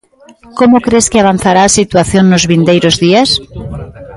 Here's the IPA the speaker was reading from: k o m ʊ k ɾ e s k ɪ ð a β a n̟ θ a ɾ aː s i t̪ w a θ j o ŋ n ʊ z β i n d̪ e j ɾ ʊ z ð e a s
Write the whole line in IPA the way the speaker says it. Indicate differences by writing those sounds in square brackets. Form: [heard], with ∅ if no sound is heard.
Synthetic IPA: k o m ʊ k ɾ e s k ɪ [∅] a β a n̟ θ a ɾ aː s i t̪ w a θ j o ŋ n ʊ z β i n d̪ e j ɾ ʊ z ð [i] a s